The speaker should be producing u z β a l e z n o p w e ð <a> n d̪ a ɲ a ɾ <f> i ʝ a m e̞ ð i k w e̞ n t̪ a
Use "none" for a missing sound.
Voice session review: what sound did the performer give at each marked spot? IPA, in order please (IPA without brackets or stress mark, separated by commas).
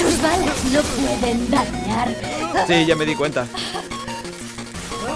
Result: e, s